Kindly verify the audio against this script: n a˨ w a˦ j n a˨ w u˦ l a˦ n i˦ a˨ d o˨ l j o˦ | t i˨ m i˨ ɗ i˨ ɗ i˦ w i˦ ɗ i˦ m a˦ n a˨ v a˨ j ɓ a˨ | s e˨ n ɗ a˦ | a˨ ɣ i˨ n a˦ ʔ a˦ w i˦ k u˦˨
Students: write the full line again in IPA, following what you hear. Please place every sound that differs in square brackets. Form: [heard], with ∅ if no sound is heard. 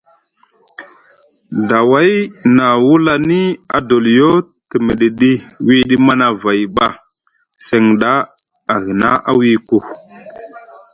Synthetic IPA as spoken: [d] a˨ w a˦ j n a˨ w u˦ l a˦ n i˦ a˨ d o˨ l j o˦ | t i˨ m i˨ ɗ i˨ ɗ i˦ w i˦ ɗ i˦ m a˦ n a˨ v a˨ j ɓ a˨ | s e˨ [ŋ] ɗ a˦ | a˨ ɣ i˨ n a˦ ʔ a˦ w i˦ k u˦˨